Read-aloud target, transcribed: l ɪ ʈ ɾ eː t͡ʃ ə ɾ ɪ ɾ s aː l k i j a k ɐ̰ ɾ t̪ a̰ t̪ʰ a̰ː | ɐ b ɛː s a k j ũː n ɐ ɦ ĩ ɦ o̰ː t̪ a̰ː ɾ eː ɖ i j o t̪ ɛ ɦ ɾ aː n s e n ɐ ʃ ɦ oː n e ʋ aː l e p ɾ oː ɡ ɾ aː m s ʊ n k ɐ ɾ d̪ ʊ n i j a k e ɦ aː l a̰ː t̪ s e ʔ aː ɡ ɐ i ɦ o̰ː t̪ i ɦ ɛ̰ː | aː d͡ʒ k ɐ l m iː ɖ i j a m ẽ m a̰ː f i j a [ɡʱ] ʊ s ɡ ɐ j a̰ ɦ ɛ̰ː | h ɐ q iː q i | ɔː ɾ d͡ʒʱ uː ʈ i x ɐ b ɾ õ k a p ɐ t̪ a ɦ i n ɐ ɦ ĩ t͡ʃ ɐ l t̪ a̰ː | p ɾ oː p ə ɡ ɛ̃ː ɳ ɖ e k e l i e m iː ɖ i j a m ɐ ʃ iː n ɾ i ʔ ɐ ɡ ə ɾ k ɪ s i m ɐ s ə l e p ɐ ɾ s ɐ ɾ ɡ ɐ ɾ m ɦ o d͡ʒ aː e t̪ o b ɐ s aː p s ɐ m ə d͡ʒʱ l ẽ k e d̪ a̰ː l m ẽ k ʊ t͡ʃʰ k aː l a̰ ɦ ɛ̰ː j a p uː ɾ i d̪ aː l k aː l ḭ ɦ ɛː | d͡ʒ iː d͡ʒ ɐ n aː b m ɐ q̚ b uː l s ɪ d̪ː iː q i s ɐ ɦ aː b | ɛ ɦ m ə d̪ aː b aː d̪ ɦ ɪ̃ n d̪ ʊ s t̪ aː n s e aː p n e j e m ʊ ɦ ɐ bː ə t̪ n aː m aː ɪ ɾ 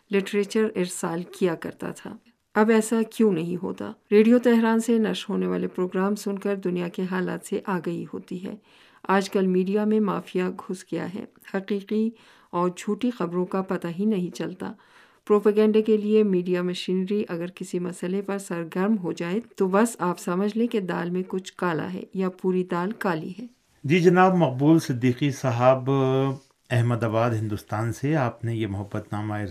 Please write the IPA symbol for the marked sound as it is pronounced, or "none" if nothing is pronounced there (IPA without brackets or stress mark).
ɡʱ